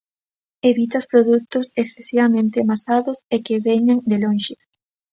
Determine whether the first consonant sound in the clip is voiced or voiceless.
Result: voiced